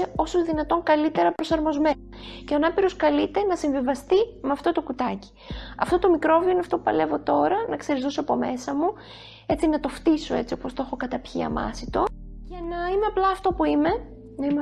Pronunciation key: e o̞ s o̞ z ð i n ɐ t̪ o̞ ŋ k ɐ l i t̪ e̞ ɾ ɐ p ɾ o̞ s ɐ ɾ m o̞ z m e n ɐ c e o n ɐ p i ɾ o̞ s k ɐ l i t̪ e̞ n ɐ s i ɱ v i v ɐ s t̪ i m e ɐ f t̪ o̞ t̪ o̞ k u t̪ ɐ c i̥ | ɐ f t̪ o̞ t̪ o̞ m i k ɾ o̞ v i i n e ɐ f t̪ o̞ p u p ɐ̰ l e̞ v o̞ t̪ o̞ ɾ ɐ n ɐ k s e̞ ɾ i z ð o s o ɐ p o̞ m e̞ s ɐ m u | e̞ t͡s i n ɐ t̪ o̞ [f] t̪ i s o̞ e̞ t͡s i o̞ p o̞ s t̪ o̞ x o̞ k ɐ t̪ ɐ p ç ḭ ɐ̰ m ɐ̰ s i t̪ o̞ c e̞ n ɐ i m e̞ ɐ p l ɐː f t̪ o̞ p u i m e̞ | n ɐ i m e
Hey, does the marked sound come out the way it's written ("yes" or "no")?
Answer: yes